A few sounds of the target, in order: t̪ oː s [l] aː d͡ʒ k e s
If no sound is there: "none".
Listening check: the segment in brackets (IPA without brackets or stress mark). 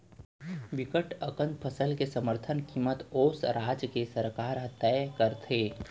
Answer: ɾ